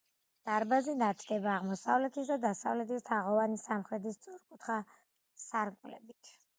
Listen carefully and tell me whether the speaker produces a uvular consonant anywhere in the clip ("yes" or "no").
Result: yes